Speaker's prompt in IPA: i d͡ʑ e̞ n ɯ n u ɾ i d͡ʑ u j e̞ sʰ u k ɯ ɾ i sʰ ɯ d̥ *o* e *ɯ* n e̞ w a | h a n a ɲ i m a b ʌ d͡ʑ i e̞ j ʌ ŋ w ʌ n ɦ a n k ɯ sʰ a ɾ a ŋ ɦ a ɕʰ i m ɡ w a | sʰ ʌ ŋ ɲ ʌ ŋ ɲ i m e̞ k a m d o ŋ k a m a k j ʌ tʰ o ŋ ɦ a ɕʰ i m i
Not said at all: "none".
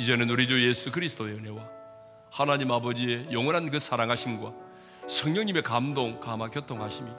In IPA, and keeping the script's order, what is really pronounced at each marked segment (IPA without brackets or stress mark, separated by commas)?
o, ɯ